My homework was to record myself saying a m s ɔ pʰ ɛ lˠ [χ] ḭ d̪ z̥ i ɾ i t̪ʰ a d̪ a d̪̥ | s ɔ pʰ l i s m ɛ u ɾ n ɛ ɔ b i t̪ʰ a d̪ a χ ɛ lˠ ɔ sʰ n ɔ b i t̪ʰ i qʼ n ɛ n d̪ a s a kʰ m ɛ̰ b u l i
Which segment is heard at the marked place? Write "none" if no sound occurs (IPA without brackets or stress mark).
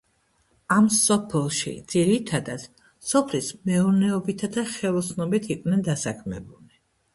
ʃ